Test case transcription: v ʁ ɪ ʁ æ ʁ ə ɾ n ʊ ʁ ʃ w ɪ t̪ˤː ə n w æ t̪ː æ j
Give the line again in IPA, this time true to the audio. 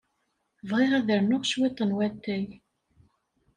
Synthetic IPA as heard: v ʁ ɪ ʁ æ ð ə ɾ n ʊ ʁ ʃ w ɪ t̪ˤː ə n w æ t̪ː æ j